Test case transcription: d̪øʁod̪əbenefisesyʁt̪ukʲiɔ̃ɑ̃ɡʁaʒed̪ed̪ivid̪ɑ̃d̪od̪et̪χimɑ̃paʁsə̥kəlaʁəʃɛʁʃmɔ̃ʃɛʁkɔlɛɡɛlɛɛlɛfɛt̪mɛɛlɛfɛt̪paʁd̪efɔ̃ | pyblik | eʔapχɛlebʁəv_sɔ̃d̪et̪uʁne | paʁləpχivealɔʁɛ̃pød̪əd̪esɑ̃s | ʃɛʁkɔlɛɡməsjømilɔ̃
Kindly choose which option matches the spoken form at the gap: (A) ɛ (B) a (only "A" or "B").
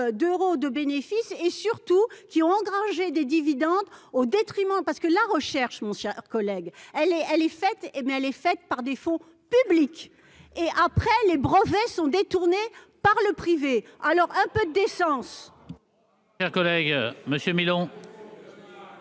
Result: A